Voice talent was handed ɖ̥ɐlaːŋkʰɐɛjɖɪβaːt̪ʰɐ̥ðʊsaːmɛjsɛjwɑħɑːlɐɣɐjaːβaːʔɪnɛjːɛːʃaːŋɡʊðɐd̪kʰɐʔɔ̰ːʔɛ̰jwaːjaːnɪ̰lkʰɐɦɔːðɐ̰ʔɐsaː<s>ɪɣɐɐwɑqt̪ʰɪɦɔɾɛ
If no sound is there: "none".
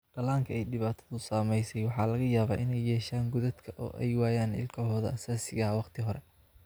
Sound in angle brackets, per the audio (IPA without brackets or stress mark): s